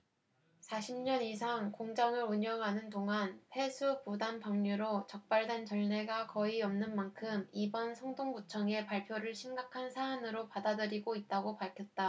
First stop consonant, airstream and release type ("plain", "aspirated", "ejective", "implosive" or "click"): plain